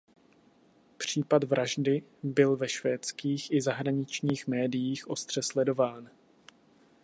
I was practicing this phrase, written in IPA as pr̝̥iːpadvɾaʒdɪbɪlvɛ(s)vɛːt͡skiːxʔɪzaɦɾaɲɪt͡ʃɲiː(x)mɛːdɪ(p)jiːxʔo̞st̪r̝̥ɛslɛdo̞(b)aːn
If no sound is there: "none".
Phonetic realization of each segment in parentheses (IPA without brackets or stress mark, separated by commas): ʃ, x, none, v